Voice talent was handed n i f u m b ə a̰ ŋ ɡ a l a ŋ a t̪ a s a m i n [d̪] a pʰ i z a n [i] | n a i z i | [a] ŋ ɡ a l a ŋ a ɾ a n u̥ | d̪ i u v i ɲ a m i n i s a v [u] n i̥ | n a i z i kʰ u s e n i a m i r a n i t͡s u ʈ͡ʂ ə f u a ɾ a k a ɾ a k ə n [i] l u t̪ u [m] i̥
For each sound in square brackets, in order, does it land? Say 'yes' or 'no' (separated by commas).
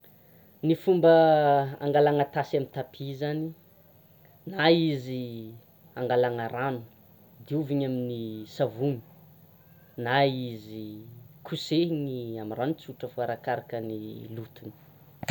no, yes, yes, yes, yes, no